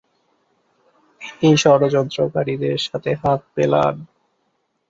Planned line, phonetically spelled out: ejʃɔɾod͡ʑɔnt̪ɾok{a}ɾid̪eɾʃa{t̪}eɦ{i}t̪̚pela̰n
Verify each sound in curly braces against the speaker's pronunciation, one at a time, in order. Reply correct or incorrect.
correct, incorrect, incorrect

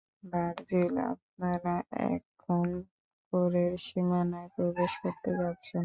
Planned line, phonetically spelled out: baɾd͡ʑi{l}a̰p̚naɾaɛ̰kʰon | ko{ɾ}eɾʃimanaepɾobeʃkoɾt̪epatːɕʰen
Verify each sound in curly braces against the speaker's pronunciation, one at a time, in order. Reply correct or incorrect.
correct, correct

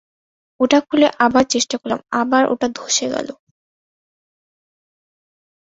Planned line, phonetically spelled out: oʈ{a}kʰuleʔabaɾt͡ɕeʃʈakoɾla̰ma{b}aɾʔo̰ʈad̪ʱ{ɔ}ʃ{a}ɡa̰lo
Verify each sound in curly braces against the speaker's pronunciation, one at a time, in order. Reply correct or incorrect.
correct, correct, incorrect, incorrect

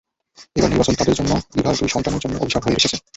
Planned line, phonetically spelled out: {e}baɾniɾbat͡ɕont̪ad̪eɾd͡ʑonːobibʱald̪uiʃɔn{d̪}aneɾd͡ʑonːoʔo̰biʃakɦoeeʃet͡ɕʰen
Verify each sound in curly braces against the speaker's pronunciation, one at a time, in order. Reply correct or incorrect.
correct, incorrect

